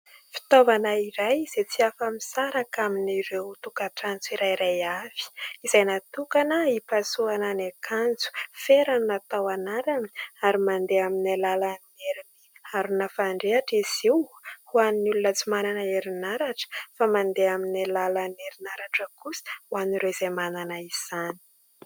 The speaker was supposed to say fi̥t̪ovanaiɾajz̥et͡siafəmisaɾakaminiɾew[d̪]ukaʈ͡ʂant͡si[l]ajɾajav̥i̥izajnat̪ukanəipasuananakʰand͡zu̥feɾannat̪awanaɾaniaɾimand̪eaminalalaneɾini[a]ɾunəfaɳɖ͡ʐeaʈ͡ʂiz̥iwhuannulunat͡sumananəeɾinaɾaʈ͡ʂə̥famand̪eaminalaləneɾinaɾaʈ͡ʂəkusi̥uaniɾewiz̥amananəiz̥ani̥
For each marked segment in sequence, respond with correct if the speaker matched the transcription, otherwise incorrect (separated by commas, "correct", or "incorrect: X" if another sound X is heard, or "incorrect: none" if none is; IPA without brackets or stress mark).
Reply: incorrect: t̪, incorrect: ɾ, correct